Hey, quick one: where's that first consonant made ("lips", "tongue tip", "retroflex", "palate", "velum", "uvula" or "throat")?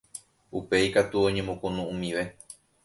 lips